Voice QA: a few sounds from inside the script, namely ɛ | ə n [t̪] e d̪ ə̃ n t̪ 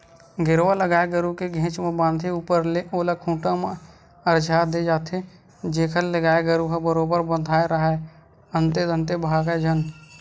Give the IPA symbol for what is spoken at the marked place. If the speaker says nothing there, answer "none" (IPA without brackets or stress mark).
t̪